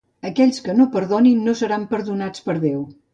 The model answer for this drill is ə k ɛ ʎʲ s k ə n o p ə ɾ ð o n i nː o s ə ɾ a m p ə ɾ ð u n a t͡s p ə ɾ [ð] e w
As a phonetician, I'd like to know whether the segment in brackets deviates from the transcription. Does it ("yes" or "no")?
no